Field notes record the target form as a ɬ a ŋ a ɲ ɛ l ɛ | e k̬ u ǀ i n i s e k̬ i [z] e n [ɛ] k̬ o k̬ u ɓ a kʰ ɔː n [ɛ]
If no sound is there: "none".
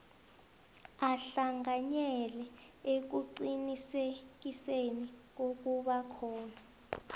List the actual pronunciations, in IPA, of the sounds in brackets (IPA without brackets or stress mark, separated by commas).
s, i, a